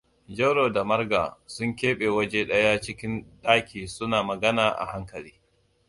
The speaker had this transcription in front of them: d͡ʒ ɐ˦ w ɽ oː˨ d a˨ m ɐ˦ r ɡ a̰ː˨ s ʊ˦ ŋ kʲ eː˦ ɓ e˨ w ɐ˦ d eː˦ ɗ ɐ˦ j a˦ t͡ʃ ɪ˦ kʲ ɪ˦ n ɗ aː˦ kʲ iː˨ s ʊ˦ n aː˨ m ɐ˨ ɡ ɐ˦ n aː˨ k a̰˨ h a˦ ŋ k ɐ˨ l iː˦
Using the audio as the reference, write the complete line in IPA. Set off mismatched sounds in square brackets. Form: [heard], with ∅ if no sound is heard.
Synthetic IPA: d͡ʒ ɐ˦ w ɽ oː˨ d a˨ m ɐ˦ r ɡ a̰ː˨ s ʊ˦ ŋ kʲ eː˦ ɓ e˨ w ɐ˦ [d͡ʒ] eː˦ ɗ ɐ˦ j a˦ t͡ʃ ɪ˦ kʲ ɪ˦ n ɗ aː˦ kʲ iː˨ s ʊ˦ n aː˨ m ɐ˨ ɡ ɐ˦ n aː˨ [ʔ] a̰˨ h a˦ ŋ k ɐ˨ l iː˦